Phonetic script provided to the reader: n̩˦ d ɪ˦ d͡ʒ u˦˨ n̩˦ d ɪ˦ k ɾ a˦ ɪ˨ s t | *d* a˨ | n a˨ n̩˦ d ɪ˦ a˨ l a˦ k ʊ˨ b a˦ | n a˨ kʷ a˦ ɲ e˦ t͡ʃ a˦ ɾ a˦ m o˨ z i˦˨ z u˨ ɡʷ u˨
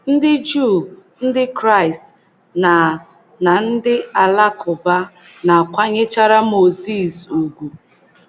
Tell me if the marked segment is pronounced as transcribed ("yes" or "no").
no